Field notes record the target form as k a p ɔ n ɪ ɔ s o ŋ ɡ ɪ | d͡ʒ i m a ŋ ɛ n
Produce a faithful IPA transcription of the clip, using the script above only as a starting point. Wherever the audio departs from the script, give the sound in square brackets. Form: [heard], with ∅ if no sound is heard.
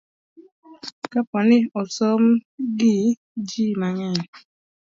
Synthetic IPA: k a p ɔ n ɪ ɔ s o [m] ɡ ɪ | d͡ʒ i m a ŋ ɛ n